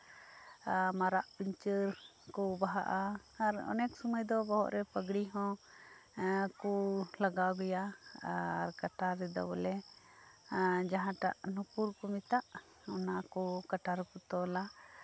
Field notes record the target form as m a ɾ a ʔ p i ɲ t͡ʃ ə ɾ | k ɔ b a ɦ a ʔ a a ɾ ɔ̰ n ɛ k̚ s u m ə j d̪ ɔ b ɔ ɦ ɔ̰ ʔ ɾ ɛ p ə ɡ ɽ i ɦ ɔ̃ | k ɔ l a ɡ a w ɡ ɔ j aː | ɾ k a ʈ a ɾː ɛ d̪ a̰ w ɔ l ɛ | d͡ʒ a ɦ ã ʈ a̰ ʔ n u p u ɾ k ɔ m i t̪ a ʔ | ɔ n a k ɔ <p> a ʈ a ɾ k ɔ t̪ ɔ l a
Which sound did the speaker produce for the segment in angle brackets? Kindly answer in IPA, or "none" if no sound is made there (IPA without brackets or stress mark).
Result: k